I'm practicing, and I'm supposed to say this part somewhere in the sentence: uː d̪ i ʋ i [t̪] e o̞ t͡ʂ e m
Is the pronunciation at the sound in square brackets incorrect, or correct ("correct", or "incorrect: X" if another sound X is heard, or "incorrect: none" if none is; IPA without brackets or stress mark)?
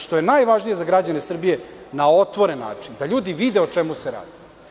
incorrect: d̪